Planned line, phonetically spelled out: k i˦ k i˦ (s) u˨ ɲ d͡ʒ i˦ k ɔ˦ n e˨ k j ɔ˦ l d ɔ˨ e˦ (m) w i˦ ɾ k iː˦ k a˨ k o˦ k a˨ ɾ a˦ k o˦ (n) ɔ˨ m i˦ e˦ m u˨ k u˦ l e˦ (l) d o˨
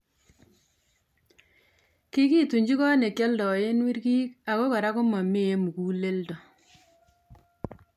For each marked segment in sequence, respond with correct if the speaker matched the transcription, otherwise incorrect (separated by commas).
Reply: incorrect, incorrect, incorrect, correct